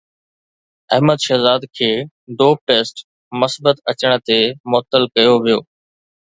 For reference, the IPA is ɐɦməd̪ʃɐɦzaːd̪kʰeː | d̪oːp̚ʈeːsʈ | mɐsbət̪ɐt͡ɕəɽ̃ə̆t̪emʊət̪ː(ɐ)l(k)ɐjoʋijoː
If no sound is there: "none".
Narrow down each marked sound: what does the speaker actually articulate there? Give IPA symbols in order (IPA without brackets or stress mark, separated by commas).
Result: ə, k